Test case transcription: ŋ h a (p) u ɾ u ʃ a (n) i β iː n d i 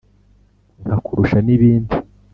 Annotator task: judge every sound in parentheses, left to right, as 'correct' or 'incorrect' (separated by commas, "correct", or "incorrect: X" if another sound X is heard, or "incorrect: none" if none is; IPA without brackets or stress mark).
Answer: incorrect: k, correct